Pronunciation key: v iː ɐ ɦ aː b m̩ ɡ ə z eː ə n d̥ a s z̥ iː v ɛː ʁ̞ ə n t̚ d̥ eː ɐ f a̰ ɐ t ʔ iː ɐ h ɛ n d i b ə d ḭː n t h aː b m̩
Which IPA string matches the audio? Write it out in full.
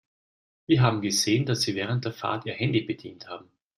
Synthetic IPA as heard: v iː ɐ ɦ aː b m̩ ɡ ə z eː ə n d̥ a s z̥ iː v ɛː ʁ̞ ə n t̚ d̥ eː ɐ f a̰ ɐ t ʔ iː ɐ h ɛ n d i b ə d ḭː n t h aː b m̩